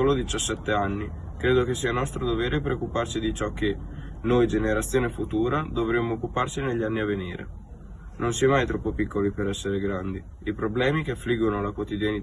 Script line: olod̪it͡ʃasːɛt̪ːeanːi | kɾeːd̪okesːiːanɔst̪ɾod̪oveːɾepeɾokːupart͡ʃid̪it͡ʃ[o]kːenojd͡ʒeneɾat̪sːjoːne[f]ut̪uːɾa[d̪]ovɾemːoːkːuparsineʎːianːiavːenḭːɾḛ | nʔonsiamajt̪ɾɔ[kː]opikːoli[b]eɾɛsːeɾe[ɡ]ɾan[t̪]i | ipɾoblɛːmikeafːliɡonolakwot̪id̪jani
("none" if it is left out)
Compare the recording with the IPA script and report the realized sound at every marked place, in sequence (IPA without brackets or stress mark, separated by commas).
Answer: ɔ, f, d̪, pː, p, ɡ, d̪